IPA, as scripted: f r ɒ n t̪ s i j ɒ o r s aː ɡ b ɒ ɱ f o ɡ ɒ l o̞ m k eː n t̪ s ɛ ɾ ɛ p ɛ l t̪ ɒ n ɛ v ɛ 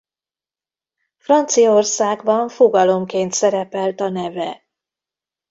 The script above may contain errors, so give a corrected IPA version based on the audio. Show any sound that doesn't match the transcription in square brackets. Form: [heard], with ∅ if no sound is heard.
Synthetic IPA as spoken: f r ɒ n t̪ s i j ɒ o r s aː ɡ b ɒ ɱ f o ɡ ɒ l o̞ m k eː n t̪ s ɛ ɾ ɛ p ɛ l t̪ ɒ n ɛ v ɛ